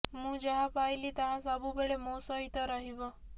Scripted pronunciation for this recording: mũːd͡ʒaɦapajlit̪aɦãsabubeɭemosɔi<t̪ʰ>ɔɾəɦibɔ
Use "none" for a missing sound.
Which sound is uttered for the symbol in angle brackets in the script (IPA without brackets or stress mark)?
t̪